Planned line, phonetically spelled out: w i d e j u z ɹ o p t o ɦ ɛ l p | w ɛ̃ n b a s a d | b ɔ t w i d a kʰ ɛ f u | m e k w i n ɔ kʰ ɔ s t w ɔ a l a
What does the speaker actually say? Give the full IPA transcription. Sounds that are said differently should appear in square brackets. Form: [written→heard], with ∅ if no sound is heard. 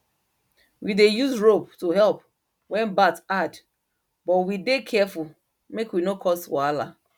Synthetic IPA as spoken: w i d e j u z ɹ o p t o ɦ ɛ l p | w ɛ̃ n b a [s→t] a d | b ɔ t w i d [a→e] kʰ ɛ f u | m e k w i n [ɔ→o] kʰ ɔ s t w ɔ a l a